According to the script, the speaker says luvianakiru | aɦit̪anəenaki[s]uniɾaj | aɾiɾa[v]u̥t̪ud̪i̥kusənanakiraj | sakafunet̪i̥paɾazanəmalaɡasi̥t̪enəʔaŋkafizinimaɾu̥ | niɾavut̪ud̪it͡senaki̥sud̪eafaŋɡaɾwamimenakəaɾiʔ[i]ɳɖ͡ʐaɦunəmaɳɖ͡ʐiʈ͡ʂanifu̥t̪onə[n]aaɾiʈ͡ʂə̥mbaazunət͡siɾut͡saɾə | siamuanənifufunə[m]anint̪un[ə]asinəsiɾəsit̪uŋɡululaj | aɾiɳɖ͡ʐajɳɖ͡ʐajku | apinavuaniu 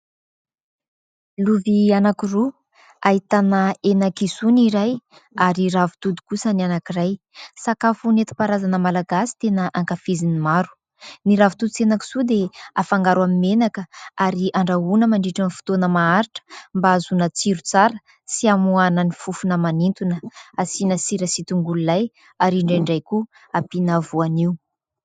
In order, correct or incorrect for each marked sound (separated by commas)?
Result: correct, correct, incorrect, incorrect, correct, correct